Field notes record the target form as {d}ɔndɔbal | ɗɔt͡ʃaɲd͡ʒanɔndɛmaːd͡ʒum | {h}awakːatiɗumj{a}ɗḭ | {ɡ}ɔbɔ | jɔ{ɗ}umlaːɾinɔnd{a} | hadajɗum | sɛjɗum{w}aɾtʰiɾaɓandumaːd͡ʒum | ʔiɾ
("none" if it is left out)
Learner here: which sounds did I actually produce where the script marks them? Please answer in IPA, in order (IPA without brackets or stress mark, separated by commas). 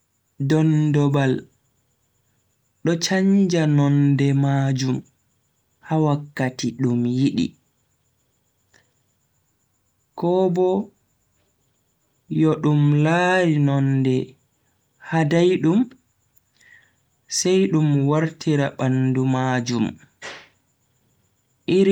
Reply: d, h, i, k, ɗ, ɛ, w